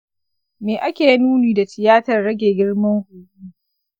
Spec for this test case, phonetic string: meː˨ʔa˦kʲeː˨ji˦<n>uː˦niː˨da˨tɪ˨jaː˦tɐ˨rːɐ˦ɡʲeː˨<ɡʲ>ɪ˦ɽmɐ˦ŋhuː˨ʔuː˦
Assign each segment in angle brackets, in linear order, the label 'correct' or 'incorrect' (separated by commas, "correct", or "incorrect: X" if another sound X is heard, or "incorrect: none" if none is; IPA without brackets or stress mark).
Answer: correct, correct